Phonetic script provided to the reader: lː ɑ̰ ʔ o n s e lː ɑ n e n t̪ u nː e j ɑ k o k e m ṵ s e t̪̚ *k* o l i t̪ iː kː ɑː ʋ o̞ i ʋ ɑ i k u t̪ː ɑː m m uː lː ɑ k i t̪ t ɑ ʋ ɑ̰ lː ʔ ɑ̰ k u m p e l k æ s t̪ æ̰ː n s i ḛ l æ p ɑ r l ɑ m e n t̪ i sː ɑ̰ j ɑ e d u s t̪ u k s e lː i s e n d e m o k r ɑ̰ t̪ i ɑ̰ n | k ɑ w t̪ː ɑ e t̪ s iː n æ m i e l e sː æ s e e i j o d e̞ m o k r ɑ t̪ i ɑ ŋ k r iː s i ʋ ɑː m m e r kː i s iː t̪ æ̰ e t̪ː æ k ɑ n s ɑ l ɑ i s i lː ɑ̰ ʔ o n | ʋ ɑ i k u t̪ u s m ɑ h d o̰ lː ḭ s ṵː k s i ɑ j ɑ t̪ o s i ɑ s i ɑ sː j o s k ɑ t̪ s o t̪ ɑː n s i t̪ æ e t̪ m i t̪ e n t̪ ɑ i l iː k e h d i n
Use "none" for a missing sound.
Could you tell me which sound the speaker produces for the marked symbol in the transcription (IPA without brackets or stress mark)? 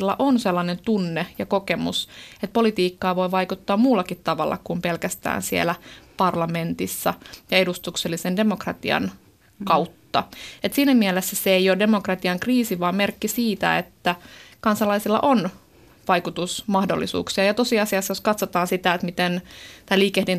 p